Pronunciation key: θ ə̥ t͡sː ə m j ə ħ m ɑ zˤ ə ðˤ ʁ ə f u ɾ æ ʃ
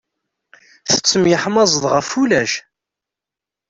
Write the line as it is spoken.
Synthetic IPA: θ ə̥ t͡sː ə m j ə ħ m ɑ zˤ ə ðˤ ʁ ə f u l æ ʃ